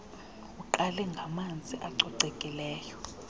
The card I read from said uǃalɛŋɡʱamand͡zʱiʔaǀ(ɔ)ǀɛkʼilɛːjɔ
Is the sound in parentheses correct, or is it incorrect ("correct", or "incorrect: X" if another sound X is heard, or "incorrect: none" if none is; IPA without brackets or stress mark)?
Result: correct